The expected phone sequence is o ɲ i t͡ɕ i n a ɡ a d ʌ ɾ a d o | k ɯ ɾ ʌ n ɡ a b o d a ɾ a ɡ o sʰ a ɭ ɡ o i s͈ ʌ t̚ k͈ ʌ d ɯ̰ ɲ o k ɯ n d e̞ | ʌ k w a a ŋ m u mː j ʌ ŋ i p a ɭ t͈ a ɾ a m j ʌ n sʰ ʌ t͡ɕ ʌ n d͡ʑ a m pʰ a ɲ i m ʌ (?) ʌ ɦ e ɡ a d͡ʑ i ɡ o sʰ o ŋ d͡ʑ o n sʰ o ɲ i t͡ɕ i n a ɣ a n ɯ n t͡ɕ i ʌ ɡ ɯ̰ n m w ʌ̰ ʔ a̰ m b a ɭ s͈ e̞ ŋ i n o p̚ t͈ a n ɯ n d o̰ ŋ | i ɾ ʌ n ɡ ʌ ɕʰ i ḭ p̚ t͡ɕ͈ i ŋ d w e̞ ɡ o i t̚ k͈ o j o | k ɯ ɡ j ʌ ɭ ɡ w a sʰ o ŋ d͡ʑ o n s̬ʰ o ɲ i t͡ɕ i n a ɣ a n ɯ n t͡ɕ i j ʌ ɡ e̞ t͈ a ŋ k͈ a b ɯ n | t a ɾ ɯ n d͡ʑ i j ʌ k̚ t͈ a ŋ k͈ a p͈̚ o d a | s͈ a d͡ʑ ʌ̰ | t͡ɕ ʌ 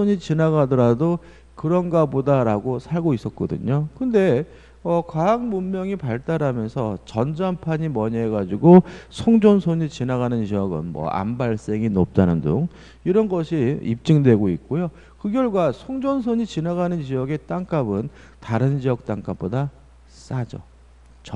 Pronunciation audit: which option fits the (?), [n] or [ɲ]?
ɲ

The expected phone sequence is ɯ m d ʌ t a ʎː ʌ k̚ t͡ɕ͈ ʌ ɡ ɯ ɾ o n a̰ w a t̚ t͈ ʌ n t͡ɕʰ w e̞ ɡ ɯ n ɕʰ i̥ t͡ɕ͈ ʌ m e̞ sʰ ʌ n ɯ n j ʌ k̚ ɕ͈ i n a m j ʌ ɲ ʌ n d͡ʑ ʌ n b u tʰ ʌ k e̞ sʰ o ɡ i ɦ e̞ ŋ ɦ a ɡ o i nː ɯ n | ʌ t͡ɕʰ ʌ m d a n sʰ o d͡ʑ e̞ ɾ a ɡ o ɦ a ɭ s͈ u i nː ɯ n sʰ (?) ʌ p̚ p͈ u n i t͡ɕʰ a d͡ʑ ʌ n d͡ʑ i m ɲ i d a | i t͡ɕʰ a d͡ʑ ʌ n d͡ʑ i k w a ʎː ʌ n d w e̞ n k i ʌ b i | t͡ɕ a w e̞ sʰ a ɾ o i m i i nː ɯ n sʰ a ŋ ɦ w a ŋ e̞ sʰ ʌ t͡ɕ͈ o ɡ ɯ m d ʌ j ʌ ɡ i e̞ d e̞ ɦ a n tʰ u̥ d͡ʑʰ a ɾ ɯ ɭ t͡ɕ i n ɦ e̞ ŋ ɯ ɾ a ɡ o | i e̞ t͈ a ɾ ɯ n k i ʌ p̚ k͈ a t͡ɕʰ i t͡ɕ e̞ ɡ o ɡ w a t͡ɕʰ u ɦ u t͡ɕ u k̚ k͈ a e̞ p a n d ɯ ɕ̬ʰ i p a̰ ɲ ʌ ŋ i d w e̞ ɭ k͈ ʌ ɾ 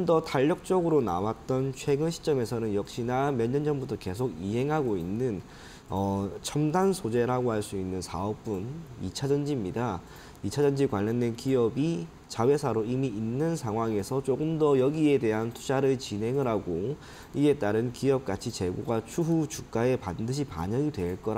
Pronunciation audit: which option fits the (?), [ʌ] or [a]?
a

